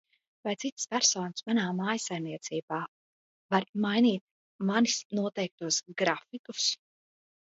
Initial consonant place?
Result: labial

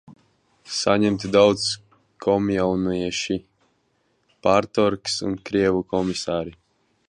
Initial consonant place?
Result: alveolar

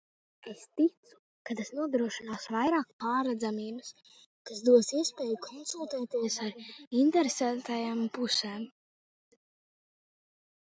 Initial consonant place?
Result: alveolar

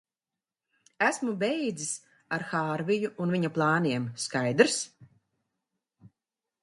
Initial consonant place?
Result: alveolar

